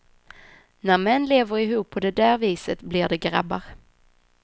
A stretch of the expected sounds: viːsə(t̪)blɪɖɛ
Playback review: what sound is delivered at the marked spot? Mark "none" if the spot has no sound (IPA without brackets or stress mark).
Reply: t̪